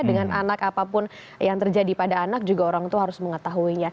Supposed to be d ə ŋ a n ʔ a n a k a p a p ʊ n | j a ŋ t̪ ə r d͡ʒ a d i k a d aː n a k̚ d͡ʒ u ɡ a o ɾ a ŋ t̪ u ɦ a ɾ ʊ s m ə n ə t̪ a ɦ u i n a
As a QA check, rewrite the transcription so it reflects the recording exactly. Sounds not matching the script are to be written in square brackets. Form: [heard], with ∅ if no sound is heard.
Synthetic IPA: d ə ŋ a n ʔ a n a k a p a p ʊ n | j a ŋ t̪ ə r d͡ʒ a d i [p] a d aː n a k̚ d͡ʒ u ɡ a o ɾ a ŋ t̪ u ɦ a ɾ ʊ s m ə [ŋ] ə t̪ a ɦ u i [ɲ] a